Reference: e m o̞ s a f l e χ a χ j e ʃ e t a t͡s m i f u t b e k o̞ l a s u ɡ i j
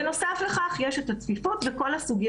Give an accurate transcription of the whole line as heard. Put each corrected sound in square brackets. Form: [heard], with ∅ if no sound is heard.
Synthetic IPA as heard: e [n] o̞ s a f l e χ a χ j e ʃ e t a t͡s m i f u t [v] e k o̞ l a s u ɡ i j